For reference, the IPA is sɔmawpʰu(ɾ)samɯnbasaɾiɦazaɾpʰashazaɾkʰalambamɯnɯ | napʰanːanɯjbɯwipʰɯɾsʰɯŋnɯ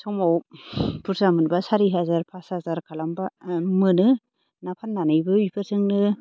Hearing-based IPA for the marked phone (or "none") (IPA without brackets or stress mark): ɾ